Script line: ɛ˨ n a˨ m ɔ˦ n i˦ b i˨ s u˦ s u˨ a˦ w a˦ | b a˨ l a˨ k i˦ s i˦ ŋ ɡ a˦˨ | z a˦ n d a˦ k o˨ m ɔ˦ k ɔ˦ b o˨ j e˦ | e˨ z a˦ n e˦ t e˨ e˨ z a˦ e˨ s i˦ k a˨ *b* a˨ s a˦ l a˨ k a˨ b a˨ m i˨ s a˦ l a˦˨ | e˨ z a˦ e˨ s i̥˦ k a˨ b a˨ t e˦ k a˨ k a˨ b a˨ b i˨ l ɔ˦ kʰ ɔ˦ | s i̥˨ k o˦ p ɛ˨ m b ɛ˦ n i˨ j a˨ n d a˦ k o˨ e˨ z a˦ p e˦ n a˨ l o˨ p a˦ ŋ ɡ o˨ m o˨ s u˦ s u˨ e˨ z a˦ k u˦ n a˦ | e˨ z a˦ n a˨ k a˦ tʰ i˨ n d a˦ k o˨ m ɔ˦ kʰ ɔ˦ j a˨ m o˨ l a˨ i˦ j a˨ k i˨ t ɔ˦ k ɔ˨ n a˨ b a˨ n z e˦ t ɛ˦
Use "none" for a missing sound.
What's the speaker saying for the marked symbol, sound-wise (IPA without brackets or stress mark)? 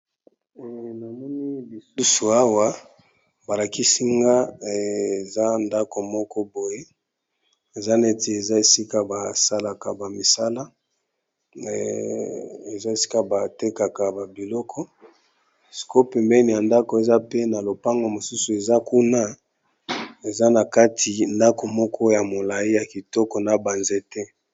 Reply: b